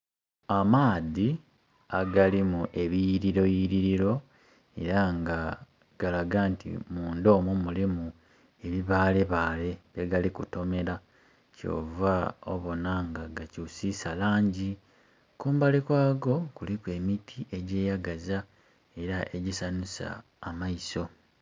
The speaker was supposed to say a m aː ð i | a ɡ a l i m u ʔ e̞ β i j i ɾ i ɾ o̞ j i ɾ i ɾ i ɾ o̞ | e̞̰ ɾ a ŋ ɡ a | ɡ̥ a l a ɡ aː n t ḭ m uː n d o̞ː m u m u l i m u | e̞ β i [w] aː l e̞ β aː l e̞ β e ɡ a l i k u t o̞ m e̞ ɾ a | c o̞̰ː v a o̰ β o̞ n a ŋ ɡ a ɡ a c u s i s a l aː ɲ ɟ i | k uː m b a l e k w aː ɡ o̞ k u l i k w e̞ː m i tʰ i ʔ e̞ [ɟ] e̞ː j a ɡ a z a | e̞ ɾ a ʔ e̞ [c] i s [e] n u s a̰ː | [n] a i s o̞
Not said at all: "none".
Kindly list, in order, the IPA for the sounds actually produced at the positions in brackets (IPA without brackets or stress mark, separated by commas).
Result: β, ɟ, ɟ, a, m